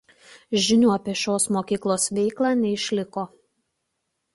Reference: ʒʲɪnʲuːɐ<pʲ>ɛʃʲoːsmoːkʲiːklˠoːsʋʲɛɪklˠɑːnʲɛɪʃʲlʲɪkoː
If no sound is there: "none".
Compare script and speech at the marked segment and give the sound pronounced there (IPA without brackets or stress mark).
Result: pʲ